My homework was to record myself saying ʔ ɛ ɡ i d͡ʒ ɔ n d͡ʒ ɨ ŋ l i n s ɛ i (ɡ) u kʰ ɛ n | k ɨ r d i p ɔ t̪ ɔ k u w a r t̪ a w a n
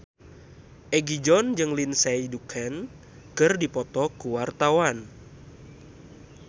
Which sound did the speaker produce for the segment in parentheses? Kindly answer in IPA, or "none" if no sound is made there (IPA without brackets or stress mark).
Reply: d